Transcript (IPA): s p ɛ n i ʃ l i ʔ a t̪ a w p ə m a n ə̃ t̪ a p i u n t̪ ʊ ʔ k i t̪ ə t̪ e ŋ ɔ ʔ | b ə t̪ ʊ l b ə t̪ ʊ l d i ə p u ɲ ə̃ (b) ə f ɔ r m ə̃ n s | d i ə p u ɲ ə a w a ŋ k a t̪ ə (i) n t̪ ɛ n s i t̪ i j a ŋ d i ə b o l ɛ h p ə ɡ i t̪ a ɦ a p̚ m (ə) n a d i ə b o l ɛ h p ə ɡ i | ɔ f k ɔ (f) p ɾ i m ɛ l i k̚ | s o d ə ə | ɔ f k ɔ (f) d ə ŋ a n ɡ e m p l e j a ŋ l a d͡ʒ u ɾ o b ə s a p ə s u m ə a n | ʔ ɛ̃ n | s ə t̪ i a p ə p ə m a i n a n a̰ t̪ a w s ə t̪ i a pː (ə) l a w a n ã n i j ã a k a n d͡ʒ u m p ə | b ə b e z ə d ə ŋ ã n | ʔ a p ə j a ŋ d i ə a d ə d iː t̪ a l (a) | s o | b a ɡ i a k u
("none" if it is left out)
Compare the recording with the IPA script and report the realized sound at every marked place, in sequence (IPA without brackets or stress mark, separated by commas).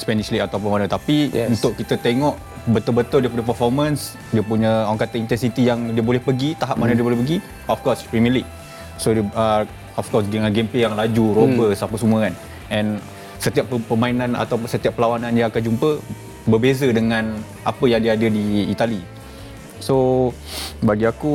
p, i, a, s, s, ə, i